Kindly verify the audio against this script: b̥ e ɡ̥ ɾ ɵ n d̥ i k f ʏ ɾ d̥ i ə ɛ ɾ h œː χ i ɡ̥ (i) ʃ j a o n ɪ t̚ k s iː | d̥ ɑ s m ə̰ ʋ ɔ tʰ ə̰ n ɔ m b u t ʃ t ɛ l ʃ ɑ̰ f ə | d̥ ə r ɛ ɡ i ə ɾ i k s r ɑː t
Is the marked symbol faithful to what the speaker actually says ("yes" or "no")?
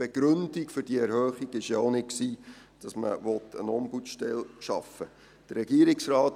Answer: no